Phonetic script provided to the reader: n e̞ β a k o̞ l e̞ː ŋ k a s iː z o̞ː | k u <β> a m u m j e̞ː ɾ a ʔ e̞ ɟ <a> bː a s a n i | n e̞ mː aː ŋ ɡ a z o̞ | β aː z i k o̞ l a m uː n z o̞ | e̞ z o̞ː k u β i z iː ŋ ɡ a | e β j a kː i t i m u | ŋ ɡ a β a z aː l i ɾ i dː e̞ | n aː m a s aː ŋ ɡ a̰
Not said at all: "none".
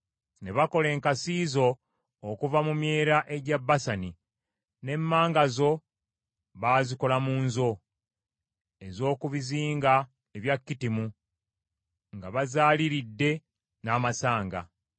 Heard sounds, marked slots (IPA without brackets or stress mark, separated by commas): v, a